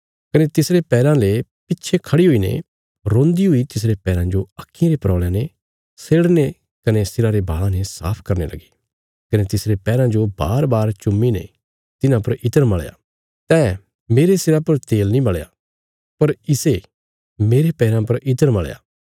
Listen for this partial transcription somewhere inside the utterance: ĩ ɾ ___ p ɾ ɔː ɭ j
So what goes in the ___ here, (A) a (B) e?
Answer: B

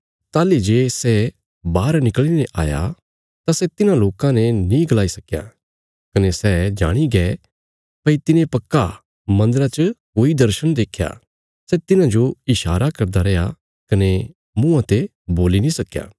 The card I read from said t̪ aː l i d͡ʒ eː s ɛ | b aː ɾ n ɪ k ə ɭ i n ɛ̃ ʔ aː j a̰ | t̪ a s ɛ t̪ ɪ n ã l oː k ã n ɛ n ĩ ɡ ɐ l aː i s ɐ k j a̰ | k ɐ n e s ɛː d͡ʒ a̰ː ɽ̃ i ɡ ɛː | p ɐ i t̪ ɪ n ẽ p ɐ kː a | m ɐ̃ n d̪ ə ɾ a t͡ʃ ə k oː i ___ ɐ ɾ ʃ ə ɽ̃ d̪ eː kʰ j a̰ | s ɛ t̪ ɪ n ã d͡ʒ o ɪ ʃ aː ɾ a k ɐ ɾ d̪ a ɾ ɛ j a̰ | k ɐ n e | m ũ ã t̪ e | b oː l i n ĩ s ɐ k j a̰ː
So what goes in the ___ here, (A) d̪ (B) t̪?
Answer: A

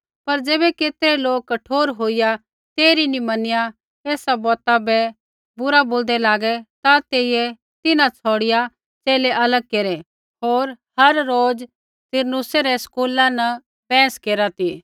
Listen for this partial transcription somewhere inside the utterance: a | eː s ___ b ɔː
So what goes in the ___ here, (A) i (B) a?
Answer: B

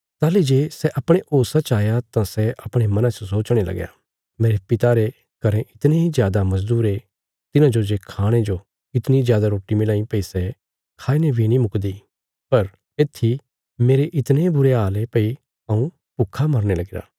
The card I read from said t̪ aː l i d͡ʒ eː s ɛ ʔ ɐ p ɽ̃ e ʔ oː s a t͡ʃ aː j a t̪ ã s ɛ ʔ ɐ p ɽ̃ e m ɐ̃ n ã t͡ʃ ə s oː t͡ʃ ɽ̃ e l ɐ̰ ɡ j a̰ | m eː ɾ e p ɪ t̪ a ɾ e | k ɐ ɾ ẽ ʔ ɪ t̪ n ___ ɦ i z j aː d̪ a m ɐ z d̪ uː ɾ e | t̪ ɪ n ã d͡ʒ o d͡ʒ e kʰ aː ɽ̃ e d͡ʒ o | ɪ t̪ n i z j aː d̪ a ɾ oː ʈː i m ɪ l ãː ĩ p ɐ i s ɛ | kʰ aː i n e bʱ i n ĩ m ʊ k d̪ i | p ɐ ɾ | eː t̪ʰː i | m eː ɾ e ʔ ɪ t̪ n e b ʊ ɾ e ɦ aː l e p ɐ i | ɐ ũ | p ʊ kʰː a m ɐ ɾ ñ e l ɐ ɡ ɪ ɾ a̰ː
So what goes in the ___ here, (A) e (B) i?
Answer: A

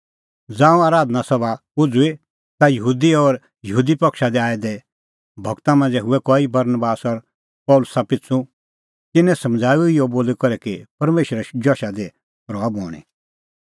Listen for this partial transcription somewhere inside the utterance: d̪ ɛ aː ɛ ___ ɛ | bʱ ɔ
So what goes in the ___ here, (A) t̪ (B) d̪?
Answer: B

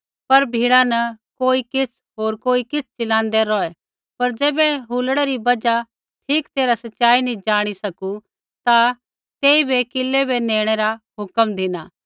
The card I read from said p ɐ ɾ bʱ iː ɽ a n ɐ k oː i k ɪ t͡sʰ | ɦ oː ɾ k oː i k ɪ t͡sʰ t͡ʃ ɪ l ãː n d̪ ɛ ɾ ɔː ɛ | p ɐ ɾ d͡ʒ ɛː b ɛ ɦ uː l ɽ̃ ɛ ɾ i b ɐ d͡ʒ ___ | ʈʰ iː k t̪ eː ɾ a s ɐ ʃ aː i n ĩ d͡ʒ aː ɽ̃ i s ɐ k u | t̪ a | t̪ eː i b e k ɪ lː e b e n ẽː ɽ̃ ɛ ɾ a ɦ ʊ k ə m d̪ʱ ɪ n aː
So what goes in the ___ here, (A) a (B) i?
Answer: A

